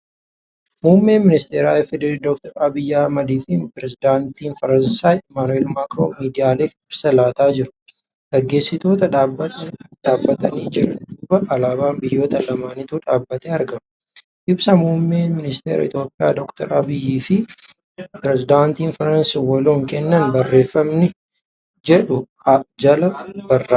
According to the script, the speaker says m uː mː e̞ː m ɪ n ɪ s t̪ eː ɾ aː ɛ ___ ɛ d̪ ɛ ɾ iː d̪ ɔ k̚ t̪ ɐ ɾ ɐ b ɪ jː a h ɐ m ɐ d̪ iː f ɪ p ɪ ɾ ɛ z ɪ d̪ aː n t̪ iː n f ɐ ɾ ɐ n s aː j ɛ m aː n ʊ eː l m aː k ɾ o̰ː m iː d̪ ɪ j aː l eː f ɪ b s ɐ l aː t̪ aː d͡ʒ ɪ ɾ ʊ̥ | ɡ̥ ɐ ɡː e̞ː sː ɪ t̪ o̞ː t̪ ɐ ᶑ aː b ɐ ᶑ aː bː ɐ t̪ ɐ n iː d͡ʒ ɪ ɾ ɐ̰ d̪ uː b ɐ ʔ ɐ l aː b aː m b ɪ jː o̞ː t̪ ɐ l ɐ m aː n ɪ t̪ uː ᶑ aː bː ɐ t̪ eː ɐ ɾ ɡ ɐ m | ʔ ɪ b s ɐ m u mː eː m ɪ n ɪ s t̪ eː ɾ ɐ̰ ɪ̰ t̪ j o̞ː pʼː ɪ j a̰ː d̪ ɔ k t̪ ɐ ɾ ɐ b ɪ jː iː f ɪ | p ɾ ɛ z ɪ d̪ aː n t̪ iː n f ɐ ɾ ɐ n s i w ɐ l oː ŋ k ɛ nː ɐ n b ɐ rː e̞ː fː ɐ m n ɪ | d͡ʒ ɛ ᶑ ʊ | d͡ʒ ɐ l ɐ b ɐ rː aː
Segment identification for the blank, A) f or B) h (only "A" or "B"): A